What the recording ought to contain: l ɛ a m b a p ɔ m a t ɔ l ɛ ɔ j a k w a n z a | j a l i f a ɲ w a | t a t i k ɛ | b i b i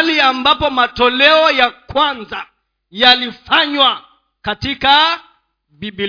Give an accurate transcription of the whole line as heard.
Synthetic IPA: l i a m b a p ɔ m a t ɔ l ɛ ɔ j a k w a n z a | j a l i f a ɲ w a | k a t i k a | b i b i